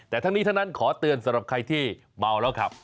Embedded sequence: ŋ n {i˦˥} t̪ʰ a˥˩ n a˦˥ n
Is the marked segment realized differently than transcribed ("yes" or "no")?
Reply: no